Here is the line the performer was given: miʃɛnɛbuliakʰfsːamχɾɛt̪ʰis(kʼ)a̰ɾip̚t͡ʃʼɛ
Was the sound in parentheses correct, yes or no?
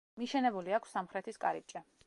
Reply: yes